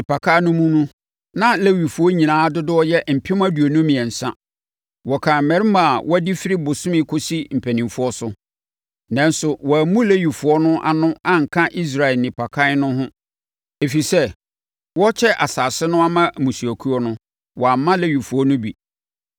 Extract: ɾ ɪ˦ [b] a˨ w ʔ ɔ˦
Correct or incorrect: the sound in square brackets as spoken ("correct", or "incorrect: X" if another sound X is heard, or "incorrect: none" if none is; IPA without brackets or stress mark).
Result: incorrect: m